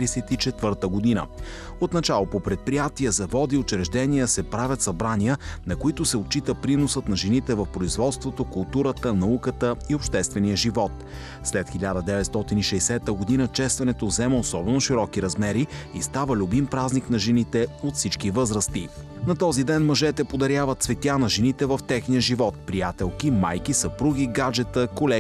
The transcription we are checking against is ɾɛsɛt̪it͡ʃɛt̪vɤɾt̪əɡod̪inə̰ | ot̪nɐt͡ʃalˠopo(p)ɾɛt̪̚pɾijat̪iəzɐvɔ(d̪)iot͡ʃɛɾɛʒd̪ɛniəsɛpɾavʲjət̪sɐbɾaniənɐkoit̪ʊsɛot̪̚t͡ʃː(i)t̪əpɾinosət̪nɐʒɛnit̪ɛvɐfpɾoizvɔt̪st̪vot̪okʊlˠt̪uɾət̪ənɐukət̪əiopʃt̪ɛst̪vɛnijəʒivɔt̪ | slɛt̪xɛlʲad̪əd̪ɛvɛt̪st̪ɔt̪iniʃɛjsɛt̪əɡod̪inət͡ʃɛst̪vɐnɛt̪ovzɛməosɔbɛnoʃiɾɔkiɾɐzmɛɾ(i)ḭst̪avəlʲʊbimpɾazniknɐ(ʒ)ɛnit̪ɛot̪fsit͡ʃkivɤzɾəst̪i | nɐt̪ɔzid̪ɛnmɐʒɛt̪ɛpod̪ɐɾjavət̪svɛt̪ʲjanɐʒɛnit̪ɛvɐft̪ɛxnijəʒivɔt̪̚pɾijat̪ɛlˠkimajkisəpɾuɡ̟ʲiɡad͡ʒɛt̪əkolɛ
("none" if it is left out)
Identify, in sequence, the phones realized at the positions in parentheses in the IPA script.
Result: p, d̪, i, i, ʒ

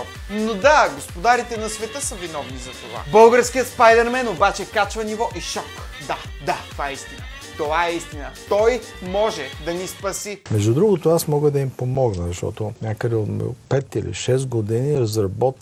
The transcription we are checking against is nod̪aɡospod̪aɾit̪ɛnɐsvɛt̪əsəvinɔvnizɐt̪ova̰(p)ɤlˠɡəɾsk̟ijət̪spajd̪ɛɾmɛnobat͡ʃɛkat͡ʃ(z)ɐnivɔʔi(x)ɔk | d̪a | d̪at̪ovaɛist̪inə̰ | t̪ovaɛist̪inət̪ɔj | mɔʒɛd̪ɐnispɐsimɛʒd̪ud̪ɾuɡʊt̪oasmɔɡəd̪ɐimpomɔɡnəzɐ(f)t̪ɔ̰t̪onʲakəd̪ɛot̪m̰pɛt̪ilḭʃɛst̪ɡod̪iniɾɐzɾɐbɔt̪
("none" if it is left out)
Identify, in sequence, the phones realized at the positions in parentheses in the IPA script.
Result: b, v, ʃ, ʃ

